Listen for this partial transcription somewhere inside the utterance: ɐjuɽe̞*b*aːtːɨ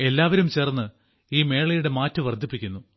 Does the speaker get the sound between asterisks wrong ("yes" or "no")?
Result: yes